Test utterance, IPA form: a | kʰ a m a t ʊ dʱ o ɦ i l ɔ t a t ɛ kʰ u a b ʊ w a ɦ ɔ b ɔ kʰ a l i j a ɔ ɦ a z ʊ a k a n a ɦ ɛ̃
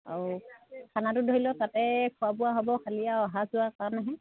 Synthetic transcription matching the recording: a | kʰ a n a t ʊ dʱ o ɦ i l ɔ t a t ɛ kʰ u a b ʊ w a ɦ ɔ b ɔ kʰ a l i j a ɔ ɦ a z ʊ a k a n a ɦ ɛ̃